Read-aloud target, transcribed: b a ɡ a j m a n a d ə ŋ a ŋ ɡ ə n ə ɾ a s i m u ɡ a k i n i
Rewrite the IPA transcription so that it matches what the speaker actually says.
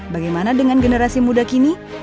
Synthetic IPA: b a ɡ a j m a n a d ə ŋ a n ɡ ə n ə ɾ a s i m u d a k i n i